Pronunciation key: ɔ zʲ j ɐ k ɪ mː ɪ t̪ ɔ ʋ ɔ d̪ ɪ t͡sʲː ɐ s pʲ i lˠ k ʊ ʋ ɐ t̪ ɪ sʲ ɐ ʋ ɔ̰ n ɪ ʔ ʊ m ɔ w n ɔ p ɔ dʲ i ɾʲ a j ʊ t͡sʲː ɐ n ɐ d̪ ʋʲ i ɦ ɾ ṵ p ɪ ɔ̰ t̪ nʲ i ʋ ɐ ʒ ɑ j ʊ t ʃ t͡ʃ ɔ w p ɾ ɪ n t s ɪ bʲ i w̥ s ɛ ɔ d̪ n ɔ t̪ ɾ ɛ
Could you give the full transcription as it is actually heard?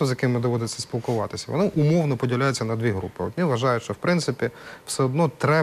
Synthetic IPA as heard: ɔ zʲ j ɐ k ɪ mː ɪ d̪ ɔ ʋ ɔ d̪ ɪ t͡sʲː ɐ s pʲ i lˠ k ʊ ʋ ɑ t̪ ɪ sʲ ɐ ʋ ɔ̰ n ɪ ʔ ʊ m ɔ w n ɔ p ɔ dʲ i lʲ a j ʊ t͡sʲː ɐ n ɐ d̪ ʋʲ i ɦ ɾ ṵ p ɪ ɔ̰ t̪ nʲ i ʋ ɐ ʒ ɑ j ʊ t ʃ t͡ʃ ɔ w p ɾ ɪ n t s ɪ pʲ i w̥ s ɛ ɔ d̪ n ɔ t̪ ɾ ɛ